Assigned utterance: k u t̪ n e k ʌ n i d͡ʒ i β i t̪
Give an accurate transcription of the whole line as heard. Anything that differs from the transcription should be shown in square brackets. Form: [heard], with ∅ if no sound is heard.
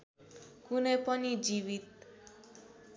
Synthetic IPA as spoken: k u [∅] n e [p] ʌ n i d͡ʒ i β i t̪